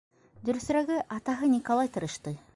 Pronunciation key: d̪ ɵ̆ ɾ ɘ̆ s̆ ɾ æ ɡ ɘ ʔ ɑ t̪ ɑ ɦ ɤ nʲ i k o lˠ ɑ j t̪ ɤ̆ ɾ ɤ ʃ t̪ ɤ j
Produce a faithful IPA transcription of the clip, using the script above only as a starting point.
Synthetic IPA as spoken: d̪ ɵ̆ ɾ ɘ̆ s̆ ɾ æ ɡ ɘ ʔ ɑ t̪ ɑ ɦ ɤ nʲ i k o lˠ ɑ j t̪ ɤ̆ ɾ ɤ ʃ t̪ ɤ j